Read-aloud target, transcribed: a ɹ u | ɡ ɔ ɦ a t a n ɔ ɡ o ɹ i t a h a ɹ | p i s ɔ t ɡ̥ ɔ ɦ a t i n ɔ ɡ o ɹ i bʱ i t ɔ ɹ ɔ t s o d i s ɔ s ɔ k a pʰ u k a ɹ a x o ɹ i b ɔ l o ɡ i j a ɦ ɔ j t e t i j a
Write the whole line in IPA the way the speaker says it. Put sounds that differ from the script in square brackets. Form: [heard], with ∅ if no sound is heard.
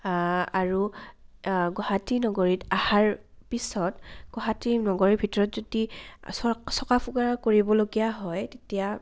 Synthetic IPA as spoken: a ɹ u | ɡ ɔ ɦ a t [i] n ɔ ɡ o ɹ i t a h a ɹ | p i s ɔ t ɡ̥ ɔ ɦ a t i n ɔ ɡ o ɹ i bʱ i t ɔ ɹ ɔ t [z] o d i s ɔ s ɔ k a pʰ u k a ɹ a [k] o ɹ i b ɔ l o ɡ i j a ɦ ɔ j t e t i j a

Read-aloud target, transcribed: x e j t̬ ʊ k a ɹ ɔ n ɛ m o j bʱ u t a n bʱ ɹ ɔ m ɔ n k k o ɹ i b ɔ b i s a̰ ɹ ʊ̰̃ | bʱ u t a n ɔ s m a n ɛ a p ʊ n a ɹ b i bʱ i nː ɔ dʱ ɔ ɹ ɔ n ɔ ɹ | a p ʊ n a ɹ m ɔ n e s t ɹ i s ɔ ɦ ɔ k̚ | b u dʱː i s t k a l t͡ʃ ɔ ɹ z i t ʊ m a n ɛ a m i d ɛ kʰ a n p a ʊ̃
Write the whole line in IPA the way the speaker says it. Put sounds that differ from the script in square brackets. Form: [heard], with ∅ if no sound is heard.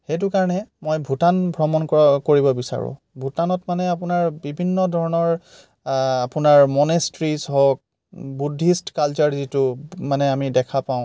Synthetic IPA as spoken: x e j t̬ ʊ k a ɹ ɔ n ɛ m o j bʱ u t a n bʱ ɹ ɔ m ɔ n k k o ɹ i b ɔ b i s a̰ ɹ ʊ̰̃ | bʱ u t a n ɔ [t] m a n ɛ a p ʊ n a ɹ b i bʱ i nː ɔ dʱ ɔ ɹ ɔ n ɔ ɹ | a p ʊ n a ɹ m ɔ n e s t ɹ i s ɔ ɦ ɔ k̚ | b u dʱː i s t k a l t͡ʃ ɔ ɹ z i t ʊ m a n ɛ a m i d ɛ kʰ a [∅] p a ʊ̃

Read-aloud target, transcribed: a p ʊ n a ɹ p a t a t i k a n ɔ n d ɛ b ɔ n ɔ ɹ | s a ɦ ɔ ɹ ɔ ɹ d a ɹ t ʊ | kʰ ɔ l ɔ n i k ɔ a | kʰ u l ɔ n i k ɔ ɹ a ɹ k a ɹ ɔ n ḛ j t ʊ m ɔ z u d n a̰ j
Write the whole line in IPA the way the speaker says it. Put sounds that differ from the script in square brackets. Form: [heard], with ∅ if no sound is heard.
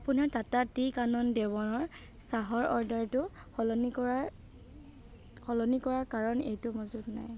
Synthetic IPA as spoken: a p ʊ n a ɹ [t] a t a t i k a n ɔ n d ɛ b ɔ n ɔ ɹ | s a ɦ ɔ ɹ ɔ ɹ d a ɹ t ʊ | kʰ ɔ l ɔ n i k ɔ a | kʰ [ɔ] l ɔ n i k ɔ ɹ a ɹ k a ɹ ɔ n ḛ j t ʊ m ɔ z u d n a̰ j

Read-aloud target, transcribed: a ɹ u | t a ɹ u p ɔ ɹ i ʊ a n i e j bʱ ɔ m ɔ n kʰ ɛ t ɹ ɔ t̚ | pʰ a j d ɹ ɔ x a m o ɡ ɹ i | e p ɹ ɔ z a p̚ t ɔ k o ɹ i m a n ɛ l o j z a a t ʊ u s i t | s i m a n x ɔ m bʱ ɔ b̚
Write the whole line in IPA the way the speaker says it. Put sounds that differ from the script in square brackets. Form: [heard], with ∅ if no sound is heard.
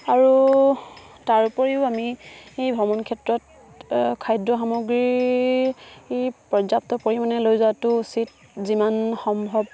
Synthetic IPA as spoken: a ɹ u | t a ɹ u p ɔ ɹ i ʊ a [m] i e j bʱ ɔ m ɔ n kʰ ɛ t ɹ ɔ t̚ | [kʰ] a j d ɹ ɔ x a m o ɡ ɹ i | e p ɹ ɔ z a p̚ t ɔ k o ɹ i m a n ɛ l o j z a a t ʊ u s i t | [z] i m a n x ɔ m bʱ ɔ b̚

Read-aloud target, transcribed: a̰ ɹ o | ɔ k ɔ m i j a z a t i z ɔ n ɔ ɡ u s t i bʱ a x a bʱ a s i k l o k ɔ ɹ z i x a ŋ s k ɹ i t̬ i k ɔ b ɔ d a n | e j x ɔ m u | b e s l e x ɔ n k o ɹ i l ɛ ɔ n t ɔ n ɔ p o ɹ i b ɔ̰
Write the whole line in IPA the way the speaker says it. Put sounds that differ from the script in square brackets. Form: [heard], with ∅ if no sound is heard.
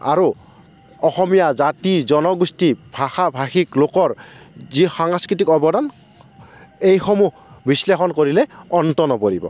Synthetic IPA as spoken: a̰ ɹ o | ɔ [x] ɔ m i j a z a t i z ɔ n ɔ ɡ u s t i bʱ a x a bʱ a [x] i k l o k ɔ ɹ z i x a ŋ s k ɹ i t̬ i k ɔ b ɔ d a n | e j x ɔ m u | b [i] s l e x ɔ n k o ɹ i l ɛ ɔ n t ɔ n ɔ p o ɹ i b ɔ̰

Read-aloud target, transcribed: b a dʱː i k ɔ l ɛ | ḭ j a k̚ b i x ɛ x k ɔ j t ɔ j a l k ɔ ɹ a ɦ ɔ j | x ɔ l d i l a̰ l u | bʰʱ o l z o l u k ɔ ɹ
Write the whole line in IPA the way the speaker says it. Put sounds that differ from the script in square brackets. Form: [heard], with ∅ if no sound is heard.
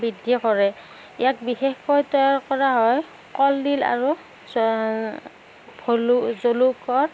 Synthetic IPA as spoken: b [i] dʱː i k ɔ [ɹ] ɛ | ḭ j a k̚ b i x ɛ x k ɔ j t ɔ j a [ɹ] k ɔ ɹ a ɦ ɔ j | [k] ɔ l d i l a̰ [ɹ] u | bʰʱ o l z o l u k ɔ ɹ

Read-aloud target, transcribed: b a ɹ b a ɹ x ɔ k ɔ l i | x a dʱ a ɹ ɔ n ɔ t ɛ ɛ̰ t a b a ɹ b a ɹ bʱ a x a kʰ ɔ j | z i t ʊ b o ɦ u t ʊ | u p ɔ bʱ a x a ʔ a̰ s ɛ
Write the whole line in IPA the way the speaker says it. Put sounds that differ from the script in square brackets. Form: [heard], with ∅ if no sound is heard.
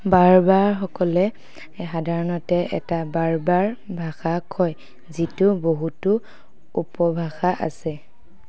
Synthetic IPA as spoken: b a ɹ b a ɹ x ɔ k ɔ l [ɛ] | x a dʱ a ɹ ɔ n ɔ t ɛ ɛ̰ t a b a ɹ b a ɹ bʱ a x a kʰ ɔ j | z i t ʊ b o ɦ u t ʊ | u p ɔ bʱ a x a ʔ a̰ s ɛ

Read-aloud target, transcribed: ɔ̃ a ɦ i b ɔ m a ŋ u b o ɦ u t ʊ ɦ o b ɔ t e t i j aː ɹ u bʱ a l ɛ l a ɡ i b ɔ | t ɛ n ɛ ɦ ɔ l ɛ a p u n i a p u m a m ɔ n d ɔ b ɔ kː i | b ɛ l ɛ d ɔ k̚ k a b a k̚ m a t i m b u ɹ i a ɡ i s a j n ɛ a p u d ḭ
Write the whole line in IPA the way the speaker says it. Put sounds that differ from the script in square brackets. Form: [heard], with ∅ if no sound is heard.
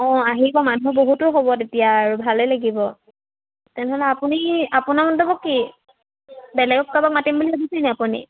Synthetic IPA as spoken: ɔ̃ a ɦ i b ɔ m a [n] u b o ɦ u t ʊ ɦ o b ɔ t e t i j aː ɹ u bʱ a l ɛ l a ɡ i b ɔ | t ɛ n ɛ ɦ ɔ l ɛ a p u n i a p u [n] a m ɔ n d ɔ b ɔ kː i | b ɛ l ɛ [ɡ] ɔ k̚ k a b a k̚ m a t i m b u [l] i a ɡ i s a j n ɛ a p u [n] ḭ

